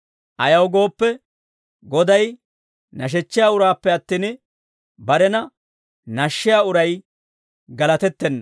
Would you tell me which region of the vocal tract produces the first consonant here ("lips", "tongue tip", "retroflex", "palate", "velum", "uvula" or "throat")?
throat